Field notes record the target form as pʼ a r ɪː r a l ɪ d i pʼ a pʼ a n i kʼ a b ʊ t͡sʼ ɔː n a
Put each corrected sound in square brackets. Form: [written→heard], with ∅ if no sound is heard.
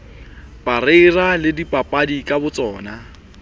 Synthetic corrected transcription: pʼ a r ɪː r a l ɪ d i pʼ a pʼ a [n→d] i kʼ a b ʊ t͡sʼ ɔː n a

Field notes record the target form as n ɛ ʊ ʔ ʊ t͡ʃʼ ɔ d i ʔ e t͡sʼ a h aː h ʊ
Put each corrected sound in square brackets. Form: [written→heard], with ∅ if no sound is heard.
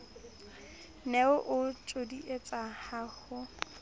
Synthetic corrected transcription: n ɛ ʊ ʔ ʊ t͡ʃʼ [ɔ→o] d i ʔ e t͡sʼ a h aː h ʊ

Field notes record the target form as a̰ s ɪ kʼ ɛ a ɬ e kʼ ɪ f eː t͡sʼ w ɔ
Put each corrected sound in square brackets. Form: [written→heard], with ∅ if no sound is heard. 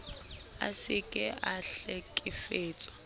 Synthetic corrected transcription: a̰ s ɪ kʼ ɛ a ɬ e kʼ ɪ f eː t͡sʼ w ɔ

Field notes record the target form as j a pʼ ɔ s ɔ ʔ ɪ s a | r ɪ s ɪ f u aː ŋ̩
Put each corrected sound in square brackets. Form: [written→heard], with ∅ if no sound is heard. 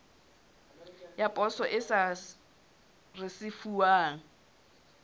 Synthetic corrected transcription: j a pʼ ɔ s ɔ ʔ ɪ s a | r ɪ s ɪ f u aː ŋ̩

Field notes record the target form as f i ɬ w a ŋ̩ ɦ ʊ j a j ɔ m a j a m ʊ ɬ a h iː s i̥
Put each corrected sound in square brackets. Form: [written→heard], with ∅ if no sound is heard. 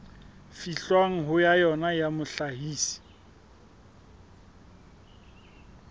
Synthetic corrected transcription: f i ɬ w a ŋ̩ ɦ ʊ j a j ɔ [m→n] a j a m ʊ ɬ a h iː s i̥

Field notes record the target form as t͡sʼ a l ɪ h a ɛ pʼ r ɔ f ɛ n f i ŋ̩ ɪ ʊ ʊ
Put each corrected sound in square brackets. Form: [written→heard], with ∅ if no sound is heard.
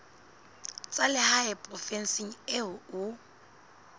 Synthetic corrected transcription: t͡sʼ a l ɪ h a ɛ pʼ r ɔ f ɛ n [f→s] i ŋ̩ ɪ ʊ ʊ

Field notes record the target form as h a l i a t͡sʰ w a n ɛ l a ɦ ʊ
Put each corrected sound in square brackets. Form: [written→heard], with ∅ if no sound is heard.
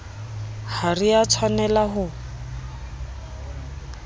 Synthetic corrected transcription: h a [l→r] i a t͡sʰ w a n ɛ l a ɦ ʊ

